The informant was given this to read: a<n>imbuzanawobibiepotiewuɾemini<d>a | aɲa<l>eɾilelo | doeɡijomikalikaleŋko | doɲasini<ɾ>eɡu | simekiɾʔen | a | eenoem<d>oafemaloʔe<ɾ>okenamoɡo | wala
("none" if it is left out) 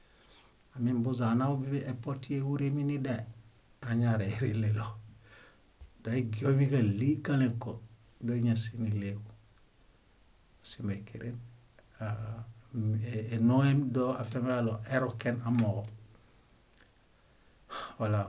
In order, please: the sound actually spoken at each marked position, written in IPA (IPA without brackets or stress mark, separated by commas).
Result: m, d, ɾ, l, d, ɾ